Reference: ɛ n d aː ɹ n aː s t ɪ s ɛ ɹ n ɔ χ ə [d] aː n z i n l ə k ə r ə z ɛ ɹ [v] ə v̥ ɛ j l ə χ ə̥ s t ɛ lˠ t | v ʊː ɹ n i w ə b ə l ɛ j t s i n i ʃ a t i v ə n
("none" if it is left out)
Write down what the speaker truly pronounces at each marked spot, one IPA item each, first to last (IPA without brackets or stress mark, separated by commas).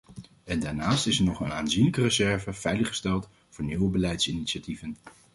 n, v